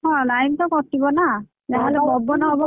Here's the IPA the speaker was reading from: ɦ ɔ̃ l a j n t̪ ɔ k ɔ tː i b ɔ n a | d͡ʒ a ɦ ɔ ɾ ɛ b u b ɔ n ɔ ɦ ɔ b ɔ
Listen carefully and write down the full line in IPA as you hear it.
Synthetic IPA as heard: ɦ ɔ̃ l a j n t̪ ɔ k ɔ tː i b ɔ n a | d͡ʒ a ɦ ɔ l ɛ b ɔ b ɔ n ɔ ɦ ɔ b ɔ